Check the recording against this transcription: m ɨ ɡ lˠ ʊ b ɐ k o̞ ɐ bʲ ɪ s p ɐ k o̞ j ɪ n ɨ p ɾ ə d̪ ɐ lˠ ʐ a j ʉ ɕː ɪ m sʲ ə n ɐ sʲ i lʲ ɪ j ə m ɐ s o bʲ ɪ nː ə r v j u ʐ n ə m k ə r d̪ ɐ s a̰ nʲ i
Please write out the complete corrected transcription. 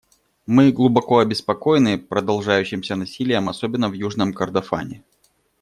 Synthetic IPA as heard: m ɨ ɡ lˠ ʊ b ɐ k o̞ ɐ bʲ ɪ s p ɐ k o̞ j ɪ n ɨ p ɾ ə d̪ ɐ lˠ ʐ a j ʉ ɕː ɪ m sʲ ə n ɐ sʲ i lʲ ɪ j ə m ɐ s o bʲ ɪ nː ə v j u ʐ n ə m k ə r d̪ ɐ f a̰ nʲ ɪ